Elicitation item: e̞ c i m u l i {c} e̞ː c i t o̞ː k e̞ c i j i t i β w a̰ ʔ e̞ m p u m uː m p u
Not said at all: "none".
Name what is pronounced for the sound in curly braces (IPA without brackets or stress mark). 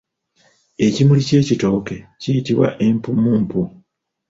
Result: c